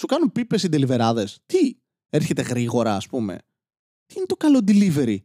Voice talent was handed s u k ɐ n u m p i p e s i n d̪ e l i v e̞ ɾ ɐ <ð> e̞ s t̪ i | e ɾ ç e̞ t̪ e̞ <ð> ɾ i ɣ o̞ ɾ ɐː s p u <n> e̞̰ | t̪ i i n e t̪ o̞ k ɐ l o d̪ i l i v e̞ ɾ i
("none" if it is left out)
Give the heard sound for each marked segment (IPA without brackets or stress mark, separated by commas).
ð, ɣ, m